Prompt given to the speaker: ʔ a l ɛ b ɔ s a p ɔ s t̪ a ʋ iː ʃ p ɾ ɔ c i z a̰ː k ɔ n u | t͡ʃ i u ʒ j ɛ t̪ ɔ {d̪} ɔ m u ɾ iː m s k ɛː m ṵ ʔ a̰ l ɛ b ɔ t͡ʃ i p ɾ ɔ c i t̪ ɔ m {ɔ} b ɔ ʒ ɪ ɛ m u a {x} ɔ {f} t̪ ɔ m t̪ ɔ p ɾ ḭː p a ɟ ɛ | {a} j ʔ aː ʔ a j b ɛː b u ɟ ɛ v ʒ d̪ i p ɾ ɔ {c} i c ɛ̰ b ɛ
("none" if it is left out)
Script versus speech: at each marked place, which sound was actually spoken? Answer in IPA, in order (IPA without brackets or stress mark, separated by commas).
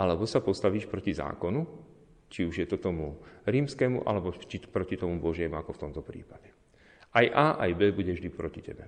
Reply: t̪, u, k, f, a, c